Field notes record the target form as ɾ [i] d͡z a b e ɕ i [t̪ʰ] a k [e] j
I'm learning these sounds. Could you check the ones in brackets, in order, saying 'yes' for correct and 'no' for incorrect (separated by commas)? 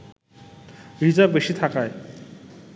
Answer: yes, yes, no